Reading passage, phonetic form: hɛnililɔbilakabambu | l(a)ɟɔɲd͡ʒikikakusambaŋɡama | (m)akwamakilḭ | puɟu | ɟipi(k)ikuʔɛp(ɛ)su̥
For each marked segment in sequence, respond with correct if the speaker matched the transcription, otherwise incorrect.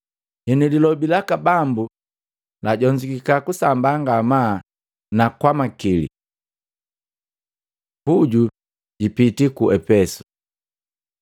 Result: correct, incorrect, incorrect, correct

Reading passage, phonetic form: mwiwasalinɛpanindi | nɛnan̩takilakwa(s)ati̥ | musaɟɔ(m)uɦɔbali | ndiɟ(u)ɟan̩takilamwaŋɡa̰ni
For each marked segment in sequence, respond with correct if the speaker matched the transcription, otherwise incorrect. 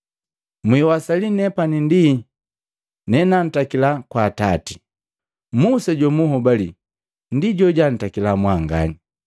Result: incorrect, correct, incorrect

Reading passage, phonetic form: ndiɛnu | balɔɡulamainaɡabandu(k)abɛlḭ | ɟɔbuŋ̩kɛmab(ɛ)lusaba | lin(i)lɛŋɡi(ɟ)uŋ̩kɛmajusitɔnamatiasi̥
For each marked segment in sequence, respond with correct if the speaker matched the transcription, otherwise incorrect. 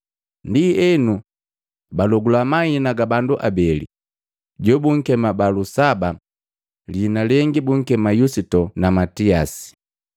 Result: incorrect, incorrect, incorrect, incorrect

